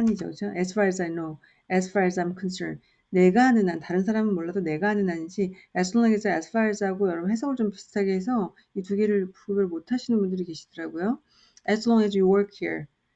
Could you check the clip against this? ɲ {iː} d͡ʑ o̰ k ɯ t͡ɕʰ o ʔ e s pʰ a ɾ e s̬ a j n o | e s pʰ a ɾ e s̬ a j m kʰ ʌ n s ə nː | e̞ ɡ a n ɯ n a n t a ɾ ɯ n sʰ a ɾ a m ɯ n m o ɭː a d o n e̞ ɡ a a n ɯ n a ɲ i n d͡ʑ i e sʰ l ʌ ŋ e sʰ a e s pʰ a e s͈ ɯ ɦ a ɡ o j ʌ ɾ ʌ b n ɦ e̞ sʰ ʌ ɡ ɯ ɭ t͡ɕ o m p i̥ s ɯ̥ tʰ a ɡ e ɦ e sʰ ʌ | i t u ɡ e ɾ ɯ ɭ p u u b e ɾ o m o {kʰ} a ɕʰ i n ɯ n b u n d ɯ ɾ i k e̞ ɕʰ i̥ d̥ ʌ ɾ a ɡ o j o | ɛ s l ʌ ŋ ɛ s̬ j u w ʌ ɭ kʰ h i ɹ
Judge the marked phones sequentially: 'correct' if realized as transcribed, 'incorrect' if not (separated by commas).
incorrect, incorrect